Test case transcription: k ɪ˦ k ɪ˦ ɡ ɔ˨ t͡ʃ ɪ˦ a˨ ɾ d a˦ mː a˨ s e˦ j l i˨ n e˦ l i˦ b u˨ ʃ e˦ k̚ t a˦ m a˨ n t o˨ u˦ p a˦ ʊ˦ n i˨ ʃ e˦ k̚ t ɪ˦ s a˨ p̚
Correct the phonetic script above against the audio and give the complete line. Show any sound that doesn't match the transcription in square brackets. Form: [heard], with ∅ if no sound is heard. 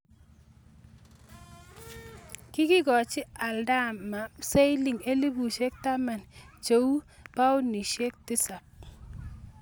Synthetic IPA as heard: k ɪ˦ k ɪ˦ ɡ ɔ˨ t͡ʃ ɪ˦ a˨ [l] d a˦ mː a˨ s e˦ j l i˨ [ŋ] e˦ l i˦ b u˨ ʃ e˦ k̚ t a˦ m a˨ n [t͡ʃ] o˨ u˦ p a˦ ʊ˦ n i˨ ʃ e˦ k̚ t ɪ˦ s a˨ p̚